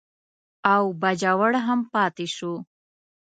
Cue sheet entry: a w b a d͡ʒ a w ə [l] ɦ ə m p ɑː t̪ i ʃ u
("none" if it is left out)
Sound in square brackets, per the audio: ɽ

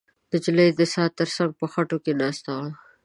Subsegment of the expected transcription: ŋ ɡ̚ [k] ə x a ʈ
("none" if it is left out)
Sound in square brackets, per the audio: p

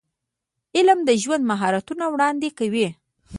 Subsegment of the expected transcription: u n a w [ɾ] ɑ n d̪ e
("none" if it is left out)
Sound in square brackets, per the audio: ɽ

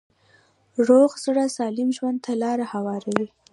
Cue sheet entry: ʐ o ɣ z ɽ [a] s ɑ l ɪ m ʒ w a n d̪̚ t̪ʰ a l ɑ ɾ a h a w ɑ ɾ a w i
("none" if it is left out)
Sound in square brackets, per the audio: a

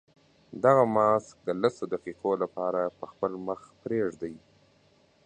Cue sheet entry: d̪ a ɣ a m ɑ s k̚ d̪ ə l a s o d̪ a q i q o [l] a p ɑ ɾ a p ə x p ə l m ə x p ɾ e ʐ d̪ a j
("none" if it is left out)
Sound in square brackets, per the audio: l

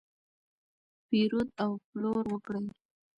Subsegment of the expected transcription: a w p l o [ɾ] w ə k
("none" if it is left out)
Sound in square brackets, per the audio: ɾ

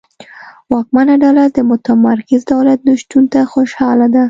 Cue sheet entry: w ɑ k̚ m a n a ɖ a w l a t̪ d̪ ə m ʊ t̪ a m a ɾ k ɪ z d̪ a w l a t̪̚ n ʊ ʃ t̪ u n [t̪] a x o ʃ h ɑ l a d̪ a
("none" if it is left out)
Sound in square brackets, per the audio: t̪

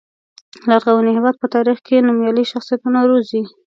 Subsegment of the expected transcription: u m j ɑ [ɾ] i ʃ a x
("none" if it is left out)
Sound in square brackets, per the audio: l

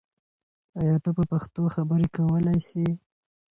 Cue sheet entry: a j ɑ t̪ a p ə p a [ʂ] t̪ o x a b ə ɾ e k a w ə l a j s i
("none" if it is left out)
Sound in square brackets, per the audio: x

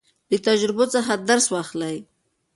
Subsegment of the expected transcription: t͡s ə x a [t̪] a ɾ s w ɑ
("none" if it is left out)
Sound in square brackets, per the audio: d̪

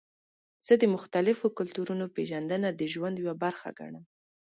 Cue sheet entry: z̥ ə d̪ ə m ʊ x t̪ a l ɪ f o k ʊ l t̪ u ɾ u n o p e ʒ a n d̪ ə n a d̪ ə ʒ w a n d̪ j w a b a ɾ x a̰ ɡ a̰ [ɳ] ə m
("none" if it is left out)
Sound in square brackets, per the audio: ɳ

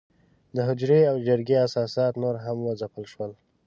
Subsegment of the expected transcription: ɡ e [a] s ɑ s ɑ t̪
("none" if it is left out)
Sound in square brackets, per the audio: a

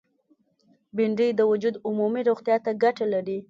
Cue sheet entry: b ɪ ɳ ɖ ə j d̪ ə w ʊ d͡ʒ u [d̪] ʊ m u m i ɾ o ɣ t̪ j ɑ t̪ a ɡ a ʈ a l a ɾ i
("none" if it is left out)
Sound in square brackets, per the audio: d̪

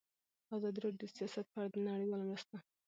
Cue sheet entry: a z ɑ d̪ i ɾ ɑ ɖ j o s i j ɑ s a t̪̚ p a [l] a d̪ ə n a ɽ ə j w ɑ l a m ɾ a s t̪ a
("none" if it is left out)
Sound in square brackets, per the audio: ɽ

